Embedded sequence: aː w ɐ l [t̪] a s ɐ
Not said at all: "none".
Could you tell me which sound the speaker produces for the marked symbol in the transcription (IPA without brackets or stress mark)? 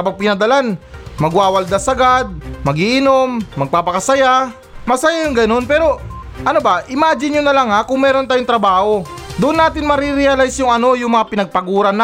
d̪